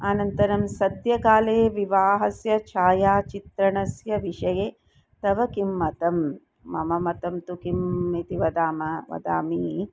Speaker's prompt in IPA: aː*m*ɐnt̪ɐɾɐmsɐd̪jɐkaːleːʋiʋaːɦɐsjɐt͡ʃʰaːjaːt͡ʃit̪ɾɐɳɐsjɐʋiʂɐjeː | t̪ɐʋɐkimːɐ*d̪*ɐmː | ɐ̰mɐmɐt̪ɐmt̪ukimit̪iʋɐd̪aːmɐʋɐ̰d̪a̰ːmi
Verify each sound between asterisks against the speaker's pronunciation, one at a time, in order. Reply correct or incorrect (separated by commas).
incorrect, incorrect